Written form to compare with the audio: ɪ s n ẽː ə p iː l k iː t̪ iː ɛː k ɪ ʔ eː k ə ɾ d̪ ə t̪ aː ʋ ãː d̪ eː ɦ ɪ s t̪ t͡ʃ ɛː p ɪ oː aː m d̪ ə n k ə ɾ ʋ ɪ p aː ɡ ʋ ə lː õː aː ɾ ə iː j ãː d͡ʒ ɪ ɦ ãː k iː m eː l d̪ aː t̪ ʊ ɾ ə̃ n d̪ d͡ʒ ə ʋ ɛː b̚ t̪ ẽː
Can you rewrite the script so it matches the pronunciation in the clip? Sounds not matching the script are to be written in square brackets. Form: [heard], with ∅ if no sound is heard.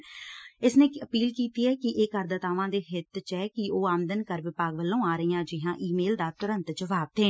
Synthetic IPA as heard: ɪ s n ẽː ə p iː l k iː t̪ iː ɛː k ɪ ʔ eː k ə ɾ d̪ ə t̪ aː ʋ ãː d̪ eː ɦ ɪ [∅] t̪ t͡ʃ ɛː [k] ɪ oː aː m d̪ ə n k ə ɾ ʋ ɪ p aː ɡ ʋ ə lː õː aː ɾ ə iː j ãː d͡ʒ ɪ ɦ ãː [ʔ] iː m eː l d̪ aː t̪ ʊ ɾ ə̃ n [t̪] d͡ʒ ə ʋ [aː] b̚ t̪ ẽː